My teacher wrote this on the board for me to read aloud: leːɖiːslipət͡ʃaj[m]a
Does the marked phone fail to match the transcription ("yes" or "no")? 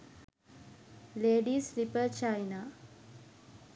yes